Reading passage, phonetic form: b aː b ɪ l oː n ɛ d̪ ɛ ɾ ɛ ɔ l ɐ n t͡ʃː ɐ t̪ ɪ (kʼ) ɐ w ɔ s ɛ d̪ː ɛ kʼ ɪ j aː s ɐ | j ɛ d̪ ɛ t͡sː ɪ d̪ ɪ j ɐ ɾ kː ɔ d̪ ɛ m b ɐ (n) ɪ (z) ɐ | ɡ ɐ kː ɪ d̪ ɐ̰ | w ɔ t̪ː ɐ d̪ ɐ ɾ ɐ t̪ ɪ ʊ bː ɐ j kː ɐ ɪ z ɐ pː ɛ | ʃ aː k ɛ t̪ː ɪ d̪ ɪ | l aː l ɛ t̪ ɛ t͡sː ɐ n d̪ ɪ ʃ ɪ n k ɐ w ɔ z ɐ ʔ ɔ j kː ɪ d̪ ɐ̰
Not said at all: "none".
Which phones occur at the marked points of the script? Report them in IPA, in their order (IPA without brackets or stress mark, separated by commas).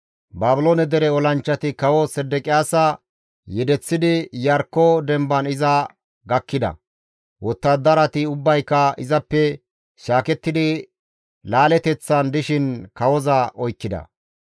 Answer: k, n, z